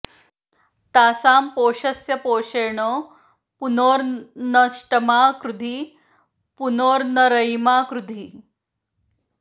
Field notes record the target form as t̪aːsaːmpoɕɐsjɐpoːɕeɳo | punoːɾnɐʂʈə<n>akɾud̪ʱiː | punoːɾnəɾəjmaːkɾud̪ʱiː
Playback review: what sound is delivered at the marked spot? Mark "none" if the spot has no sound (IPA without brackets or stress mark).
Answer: m